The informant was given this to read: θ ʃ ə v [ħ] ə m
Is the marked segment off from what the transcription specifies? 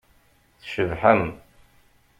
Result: no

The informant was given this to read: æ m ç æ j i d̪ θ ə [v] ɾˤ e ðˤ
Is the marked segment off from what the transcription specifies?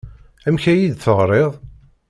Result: yes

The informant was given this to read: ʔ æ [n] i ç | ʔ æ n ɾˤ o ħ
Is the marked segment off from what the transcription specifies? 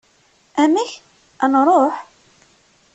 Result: yes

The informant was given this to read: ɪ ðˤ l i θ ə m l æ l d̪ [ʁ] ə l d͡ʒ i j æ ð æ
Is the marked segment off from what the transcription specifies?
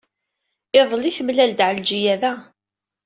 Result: yes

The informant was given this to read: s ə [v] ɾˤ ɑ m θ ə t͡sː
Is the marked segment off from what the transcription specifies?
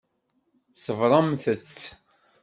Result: no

